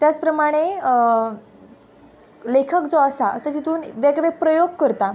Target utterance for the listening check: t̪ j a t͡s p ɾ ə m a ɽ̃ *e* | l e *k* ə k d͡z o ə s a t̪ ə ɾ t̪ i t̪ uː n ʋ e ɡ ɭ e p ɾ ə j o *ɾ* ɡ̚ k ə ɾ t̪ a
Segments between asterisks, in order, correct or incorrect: correct, incorrect: kʰ, incorrect: none

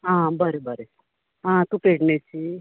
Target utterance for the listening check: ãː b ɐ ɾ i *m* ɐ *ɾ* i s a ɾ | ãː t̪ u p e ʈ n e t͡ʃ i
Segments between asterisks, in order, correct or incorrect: incorrect: b, correct

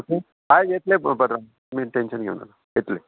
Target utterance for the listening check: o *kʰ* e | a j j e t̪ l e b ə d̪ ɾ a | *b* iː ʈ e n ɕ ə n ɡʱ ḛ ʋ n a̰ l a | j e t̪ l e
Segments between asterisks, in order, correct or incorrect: incorrect: k, incorrect: m

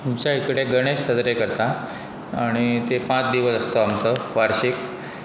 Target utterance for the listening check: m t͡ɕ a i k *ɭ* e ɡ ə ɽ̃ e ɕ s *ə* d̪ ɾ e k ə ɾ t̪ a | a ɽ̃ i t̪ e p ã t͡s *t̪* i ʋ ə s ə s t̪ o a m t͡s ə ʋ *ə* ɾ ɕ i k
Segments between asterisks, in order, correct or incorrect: incorrect: ɽ, correct, incorrect: d̪, incorrect: a

